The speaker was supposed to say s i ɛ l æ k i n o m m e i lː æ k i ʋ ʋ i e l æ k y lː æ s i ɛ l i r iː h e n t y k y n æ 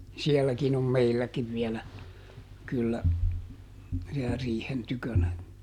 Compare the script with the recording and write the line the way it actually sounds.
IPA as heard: s i ɛ lː æ k i n o m m e i lː æ k i ʋ ʋ i e l æ k y lː æ s i ɛ l æ r iː h e n t y k ø n æ